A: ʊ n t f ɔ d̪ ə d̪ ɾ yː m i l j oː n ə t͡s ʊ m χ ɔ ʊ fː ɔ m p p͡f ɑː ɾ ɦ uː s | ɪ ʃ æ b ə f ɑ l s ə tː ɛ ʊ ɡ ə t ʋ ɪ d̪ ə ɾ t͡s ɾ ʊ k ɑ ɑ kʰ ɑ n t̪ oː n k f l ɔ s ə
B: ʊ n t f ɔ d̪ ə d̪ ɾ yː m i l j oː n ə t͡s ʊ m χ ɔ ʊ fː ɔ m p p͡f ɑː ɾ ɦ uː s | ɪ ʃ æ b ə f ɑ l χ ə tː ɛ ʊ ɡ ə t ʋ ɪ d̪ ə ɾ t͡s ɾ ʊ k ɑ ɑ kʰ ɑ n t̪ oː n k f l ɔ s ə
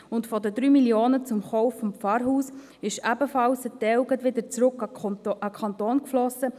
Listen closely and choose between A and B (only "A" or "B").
A